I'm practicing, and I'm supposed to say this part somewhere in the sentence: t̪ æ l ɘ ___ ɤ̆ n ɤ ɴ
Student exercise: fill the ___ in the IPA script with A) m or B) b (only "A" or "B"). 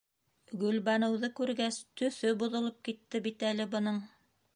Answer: B